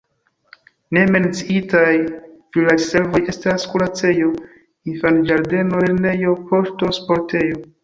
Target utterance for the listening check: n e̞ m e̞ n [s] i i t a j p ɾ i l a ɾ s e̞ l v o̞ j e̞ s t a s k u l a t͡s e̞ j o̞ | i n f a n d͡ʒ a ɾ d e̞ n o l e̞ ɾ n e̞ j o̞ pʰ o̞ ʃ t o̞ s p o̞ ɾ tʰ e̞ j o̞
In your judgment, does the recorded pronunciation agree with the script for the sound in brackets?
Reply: no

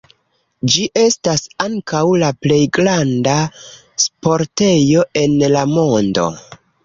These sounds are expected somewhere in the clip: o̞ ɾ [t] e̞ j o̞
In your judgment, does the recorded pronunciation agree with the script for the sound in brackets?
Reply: yes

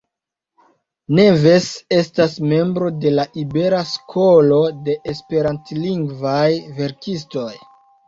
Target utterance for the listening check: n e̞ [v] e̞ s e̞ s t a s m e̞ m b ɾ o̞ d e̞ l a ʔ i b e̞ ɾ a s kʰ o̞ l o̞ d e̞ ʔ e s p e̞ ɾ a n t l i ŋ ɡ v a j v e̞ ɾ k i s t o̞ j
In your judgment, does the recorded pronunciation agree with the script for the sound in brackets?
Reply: yes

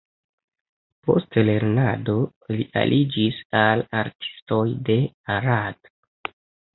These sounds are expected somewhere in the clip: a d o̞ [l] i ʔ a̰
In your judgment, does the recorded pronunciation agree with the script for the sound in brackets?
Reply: yes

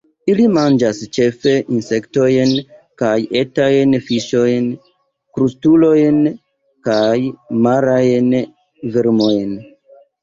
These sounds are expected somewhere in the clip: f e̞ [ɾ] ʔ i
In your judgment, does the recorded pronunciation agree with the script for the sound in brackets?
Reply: no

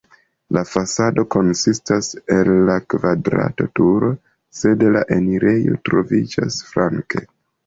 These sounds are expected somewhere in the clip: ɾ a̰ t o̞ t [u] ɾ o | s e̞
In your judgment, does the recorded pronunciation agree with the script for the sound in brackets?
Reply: yes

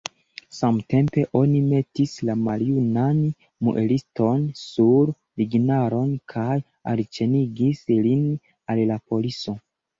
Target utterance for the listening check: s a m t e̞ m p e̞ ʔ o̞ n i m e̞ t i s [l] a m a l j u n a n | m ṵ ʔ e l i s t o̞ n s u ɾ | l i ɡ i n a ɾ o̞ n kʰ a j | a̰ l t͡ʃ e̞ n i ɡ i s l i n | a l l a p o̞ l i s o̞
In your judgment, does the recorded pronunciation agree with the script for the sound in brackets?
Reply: yes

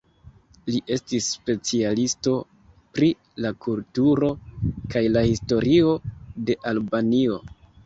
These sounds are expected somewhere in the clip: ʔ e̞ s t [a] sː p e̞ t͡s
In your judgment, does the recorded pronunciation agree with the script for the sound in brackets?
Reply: no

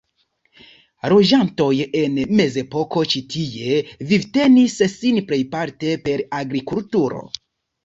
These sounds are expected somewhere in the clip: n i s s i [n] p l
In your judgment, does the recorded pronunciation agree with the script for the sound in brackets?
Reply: yes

